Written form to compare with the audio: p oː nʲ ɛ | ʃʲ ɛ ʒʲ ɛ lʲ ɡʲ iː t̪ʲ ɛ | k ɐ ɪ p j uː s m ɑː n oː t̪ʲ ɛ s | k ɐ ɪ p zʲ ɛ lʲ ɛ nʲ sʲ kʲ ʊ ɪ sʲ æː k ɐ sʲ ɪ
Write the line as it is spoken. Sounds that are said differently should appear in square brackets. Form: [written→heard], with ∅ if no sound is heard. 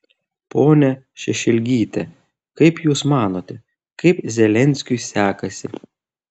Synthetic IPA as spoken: p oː nʲ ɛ | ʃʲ ɛ [ʒʲ→ʃʲ] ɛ lʲ ɡʲ iː t̪ʲ ɛ | k ɐ ɪ p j uː s m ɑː n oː t̪ʲ ɛ [s→∅] | k ɐ ɪ p zʲ ɛ lʲ ɛ nʲ sʲ kʲ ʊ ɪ sʲ æː k ɐ sʲ ɪ